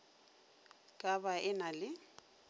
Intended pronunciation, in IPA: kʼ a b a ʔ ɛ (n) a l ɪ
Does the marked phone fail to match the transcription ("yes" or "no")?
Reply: no